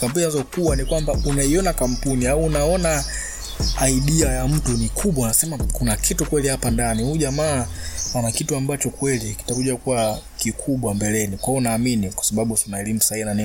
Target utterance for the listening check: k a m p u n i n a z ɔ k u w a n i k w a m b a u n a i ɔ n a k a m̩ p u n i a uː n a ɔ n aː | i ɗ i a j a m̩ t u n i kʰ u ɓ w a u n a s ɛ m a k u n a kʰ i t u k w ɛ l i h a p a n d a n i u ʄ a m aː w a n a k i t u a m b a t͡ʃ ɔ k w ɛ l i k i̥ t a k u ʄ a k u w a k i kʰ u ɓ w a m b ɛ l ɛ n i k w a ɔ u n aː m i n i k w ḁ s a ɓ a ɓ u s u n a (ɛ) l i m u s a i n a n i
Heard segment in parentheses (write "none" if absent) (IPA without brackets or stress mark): ɛ